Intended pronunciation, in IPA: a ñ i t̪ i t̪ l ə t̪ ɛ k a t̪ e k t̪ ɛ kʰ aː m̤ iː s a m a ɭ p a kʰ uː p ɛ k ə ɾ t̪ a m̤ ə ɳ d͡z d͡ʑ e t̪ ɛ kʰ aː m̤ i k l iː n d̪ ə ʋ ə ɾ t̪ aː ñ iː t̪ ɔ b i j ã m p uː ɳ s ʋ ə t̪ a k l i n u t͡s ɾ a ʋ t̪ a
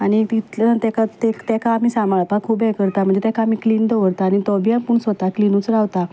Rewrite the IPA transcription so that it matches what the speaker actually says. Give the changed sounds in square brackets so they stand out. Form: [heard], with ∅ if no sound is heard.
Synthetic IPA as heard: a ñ i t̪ i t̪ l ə t̪ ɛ k a t̪ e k t̪ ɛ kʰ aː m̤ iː s a m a ɭ p a kʰ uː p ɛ k ə ɾ t̪ a m̤ ə ɳ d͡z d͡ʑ e t̪ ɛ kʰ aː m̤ i k l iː n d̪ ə ʋ ə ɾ t̪ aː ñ [i] t̪ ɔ b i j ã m p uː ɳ s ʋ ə t̪ a k l i n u t͡s ɾ a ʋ t̪ a